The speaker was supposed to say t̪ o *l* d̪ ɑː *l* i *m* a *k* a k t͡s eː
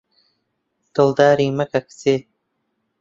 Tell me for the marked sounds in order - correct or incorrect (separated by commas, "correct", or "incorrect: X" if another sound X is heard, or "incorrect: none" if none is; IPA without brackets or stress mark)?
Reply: correct, incorrect: ɾ, correct, correct